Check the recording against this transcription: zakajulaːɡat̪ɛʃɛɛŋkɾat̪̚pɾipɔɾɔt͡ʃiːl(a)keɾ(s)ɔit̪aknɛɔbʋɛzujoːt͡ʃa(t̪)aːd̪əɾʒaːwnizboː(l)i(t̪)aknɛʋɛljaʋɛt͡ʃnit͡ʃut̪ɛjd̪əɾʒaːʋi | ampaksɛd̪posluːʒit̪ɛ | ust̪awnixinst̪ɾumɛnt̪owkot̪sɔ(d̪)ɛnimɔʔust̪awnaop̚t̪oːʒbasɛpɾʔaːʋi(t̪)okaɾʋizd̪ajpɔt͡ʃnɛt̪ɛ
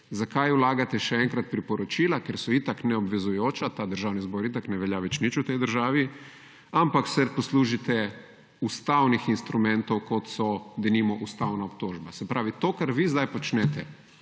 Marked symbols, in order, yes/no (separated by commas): yes, yes, yes, no, yes, yes, yes